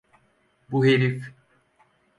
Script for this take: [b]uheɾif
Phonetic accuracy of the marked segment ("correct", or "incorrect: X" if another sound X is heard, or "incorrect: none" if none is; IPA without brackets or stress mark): correct